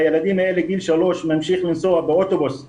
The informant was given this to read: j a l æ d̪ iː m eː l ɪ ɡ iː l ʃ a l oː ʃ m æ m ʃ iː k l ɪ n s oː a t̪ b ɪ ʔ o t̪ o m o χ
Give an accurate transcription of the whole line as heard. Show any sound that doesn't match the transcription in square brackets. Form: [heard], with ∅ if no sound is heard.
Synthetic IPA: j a l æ d̪ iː m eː l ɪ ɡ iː l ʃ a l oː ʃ m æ m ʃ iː [x] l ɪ n s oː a [∅] b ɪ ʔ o t̪ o [b] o [s]